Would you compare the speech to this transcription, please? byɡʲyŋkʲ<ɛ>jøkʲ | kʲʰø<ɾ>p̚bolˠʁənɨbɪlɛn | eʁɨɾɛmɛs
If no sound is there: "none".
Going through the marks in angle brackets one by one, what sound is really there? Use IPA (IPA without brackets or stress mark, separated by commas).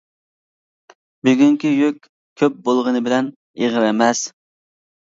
i, none